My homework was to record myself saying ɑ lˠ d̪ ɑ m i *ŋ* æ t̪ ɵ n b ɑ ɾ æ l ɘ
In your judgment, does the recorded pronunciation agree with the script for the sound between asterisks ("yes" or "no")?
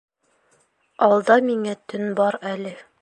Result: yes